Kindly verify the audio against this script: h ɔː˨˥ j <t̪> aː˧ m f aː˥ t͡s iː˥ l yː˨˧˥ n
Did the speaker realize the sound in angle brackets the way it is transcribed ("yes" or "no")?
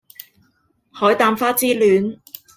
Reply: yes